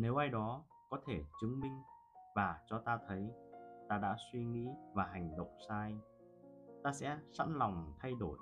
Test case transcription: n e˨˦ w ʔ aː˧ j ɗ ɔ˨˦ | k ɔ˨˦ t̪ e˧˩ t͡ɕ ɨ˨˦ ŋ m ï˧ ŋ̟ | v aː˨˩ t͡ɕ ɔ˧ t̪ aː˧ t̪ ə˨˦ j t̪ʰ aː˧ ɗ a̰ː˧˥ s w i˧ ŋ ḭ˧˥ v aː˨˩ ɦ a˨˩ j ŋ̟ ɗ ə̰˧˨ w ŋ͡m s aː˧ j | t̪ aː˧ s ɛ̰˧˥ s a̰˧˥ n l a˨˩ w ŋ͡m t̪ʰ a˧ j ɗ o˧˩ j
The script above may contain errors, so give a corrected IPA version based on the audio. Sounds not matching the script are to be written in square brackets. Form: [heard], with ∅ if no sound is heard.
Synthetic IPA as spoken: n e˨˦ w ʔ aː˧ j ɗ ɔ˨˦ | k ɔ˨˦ [t̪ʰ] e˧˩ t͡ɕ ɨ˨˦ ŋ m ï˧ ŋ̟ | v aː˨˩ t͡ɕ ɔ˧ t̪ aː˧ [t̪ʰ] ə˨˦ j [t̪] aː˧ ɗ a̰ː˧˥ s w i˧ ŋ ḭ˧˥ v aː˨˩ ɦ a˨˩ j ŋ̟ ɗ ə̰˧˨ w ŋ͡m s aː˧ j | t̪ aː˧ s ɛ̰˧˥ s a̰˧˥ n l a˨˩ w ŋ͡m t̪ʰ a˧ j ɗ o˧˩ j